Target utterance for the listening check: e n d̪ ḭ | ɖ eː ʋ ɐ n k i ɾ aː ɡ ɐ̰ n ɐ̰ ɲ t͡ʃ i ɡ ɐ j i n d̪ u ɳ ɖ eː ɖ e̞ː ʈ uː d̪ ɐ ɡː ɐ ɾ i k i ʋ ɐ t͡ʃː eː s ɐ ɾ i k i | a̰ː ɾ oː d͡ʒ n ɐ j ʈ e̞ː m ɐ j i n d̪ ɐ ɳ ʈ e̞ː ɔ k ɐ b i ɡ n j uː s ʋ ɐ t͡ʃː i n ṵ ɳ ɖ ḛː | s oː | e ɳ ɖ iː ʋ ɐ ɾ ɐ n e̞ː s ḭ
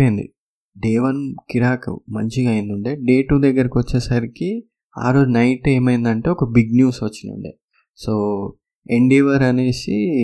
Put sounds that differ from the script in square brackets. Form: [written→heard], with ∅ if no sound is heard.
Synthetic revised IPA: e n d̪ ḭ | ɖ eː ʋ ɐ n k i ɾ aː [ɡ→k] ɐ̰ [n→m] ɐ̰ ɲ t͡ʃ i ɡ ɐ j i n d̪ u ɳ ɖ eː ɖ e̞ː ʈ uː d̪ ɐ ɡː ɐ ɾ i k i ʋ ɐ t͡ʃː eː s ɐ ɾ i k i | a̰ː ɾ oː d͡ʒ n ɐ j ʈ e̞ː m ɐ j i n d̪ ɐ ɳ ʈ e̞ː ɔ k ɐ b i ɡ n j uː s ʋ ɐ t͡ʃː i n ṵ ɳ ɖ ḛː | s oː | e ɳ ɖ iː ʋ ɐ ɾ ɐ n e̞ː s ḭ